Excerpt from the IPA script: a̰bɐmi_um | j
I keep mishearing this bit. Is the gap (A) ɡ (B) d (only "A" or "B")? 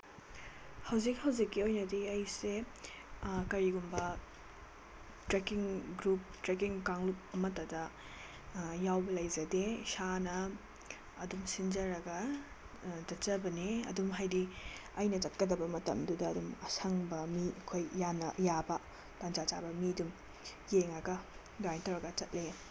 B